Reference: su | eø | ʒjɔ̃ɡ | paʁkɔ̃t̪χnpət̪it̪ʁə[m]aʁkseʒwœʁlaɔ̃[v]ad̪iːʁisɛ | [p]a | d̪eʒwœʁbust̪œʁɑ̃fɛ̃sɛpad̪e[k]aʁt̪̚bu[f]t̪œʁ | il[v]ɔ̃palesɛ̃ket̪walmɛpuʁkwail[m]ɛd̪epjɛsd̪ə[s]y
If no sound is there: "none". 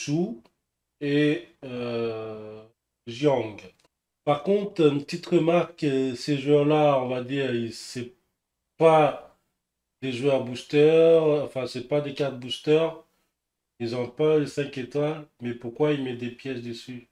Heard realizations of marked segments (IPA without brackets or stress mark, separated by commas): m, v, p, k, s, z, m, s